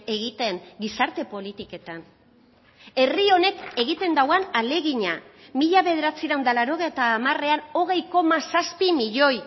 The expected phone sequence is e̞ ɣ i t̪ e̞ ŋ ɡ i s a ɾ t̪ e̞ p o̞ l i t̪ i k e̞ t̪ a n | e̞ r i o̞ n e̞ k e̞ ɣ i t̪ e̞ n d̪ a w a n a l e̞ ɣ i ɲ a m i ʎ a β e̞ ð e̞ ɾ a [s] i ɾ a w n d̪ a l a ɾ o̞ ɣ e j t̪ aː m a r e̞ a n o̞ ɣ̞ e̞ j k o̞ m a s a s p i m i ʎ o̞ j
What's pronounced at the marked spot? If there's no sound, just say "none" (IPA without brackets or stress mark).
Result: t͡s